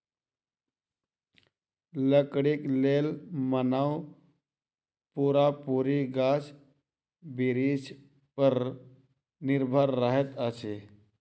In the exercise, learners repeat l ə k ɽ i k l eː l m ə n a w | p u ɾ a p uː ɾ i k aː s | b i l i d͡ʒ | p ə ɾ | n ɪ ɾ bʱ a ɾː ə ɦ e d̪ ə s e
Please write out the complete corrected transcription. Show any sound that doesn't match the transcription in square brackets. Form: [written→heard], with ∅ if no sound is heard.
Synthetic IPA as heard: l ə k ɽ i k l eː l m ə n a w | p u ɾ a p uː ɾ i [k→ɡ] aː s | b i [l→ɾ] i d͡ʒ | p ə ɾ | n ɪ ɾ bʱ [a→ə] ɾː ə ɦ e [d̪→t̪] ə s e